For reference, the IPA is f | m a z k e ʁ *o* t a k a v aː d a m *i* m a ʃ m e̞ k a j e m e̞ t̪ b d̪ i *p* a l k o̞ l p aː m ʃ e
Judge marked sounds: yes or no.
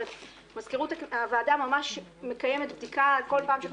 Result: no, no, no

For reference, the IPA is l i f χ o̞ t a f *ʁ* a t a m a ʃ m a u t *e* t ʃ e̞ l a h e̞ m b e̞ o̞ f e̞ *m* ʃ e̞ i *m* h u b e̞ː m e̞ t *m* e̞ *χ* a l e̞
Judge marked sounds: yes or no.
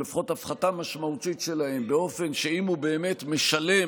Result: no, no, no, yes, yes, no

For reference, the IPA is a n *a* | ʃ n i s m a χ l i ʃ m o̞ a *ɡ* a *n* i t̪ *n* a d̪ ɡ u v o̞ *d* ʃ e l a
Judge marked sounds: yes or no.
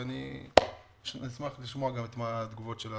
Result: no, yes, no, no, no

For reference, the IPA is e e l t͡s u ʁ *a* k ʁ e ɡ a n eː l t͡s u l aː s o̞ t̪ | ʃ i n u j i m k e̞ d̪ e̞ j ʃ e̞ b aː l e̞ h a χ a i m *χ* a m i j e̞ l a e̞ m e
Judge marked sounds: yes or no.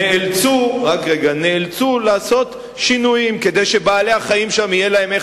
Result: yes, no

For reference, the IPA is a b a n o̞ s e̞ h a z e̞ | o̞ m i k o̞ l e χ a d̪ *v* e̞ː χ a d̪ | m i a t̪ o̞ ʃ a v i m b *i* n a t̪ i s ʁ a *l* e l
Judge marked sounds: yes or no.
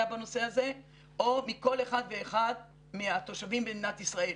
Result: yes, no, no

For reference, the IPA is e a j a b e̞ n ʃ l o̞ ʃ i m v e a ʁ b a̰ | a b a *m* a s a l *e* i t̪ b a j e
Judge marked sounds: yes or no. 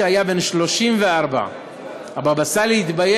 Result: no, yes

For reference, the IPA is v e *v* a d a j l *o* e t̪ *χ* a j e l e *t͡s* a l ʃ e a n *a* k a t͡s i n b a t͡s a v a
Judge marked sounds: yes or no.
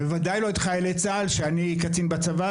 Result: yes, yes, yes, yes, no

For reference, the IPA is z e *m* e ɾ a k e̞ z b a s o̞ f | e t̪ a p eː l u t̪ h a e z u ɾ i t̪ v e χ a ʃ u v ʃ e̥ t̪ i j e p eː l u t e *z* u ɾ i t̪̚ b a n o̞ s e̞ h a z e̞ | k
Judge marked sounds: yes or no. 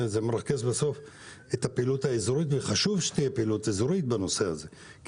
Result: yes, yes

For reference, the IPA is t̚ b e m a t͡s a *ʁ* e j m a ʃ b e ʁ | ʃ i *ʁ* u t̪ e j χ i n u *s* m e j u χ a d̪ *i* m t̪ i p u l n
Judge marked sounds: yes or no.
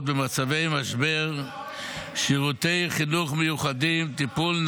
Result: no, yes, no, yes

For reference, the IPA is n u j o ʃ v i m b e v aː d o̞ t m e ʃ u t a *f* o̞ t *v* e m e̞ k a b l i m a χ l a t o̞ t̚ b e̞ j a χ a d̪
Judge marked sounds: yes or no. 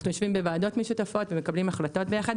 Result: yes, yes

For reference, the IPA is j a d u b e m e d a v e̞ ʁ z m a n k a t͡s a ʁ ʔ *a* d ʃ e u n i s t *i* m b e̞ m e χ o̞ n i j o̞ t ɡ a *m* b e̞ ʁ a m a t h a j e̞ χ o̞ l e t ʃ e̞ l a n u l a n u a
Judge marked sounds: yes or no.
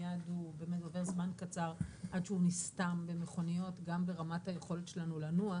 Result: yes, no, yes

